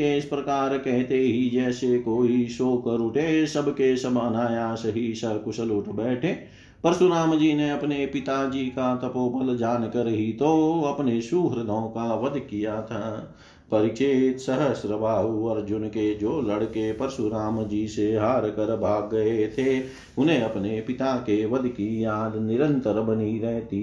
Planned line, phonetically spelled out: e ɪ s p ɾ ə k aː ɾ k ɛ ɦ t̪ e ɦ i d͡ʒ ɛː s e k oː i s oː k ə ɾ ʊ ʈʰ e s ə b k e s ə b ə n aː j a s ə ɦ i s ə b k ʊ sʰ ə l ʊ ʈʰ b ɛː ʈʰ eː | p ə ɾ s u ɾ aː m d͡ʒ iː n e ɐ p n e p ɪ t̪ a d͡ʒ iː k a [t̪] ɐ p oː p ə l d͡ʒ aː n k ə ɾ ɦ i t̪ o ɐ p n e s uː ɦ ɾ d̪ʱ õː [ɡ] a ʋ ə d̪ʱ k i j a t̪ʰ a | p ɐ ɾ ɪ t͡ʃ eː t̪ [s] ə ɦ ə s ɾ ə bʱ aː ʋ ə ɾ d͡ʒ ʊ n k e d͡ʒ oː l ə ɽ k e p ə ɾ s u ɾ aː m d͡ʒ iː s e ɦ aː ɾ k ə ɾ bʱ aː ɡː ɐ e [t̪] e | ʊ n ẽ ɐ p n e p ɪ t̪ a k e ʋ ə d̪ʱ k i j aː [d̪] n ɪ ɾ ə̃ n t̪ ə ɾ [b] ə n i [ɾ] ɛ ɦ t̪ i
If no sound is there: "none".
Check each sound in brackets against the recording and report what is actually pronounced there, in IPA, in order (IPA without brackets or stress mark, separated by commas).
t̪, k, s, t̪ʰ, d̪, b, ɾ